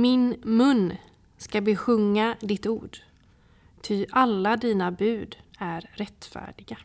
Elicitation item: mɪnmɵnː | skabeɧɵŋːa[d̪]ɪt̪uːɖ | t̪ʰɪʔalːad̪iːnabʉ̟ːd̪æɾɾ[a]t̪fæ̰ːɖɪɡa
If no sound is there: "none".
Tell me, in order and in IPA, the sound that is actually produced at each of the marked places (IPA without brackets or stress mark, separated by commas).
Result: d̪, ɛ